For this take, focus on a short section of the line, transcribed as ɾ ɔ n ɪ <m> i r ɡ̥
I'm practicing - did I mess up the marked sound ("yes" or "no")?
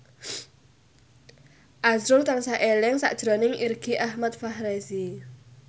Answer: yes